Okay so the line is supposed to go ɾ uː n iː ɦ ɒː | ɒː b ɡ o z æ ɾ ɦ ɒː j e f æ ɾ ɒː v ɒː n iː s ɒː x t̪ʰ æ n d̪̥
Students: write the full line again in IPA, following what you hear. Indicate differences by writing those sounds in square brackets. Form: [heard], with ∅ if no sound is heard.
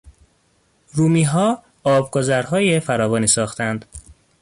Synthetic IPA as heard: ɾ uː [m] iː ɦ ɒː | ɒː b ɡ o z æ ɾ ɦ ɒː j e f æ ɾ ɒː v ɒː n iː s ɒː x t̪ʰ æ n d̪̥